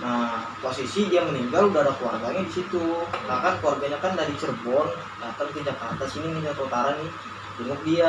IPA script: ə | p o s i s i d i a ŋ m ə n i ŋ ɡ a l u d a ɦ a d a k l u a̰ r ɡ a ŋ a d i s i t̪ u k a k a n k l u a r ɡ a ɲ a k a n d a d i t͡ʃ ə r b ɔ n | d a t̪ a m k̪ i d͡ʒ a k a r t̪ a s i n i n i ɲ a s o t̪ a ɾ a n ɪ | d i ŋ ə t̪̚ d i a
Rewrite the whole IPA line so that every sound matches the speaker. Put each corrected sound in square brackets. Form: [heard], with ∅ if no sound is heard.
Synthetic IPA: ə | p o s i s i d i a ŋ m ə n i ŋ ɡ a l u d a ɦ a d a k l u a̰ r ɡ a [ɲ] a d i s i t̪ u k a k a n k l u a r ɡ a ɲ a k a n d a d i t͡ʃ ə r b ɔ n | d a t̪ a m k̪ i d͡ʒ a k a r t̪ a s i n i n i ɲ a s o t̪ a ɾ a n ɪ | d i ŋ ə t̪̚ d i a